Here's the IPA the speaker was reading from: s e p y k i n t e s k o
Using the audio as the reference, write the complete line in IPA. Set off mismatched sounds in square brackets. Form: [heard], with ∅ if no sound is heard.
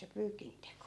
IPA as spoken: s e p [yː] k i n t e [∅] k o